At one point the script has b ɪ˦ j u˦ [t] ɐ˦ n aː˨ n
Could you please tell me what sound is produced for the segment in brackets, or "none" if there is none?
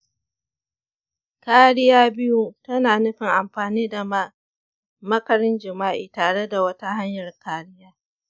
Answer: t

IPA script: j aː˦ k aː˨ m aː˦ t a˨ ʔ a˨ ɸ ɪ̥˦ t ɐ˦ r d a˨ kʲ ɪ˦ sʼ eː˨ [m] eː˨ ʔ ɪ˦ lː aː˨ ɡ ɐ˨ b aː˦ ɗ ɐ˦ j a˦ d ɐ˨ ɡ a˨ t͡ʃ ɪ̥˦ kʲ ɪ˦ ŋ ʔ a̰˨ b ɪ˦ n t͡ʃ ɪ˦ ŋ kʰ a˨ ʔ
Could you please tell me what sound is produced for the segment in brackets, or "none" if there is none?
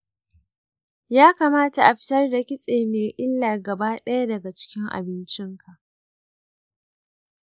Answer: m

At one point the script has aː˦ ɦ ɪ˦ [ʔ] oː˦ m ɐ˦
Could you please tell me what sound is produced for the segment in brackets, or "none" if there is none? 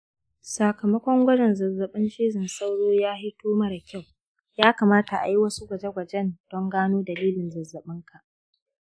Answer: t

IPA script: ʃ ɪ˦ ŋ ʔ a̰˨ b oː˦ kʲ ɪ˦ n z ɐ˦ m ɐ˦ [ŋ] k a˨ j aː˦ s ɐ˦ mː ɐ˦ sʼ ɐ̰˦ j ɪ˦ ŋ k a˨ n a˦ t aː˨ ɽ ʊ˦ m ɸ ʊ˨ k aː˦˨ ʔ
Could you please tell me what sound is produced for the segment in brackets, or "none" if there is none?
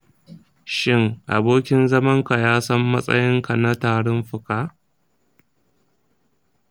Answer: ŋ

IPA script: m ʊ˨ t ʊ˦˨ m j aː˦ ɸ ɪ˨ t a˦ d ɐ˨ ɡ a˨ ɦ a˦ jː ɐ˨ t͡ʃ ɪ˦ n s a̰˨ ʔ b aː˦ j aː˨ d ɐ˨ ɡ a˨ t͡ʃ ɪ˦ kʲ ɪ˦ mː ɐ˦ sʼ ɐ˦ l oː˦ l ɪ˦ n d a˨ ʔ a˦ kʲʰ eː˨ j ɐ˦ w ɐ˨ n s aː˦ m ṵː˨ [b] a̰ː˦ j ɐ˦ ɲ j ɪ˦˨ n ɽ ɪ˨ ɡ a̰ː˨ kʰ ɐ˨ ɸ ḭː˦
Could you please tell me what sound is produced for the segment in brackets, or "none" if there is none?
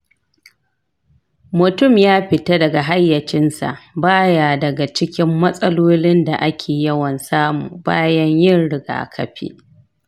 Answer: b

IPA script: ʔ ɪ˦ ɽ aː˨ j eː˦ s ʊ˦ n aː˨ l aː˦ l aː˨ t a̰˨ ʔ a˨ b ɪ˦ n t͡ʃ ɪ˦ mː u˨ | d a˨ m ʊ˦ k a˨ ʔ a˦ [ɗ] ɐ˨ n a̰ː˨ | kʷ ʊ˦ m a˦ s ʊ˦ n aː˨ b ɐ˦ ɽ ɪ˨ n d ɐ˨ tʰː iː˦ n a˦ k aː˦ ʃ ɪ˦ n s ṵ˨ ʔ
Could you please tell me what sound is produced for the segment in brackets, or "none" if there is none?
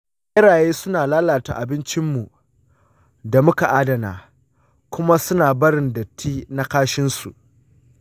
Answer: d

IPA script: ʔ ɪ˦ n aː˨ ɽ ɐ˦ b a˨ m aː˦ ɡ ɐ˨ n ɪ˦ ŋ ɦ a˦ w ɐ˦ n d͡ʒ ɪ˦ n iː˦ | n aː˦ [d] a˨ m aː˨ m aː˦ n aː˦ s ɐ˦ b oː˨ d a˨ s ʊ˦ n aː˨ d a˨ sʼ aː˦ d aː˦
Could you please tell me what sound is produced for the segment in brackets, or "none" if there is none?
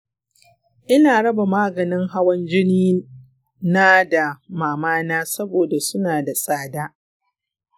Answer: d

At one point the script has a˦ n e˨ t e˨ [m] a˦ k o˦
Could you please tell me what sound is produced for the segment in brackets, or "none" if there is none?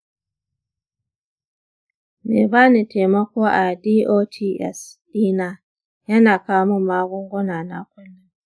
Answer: m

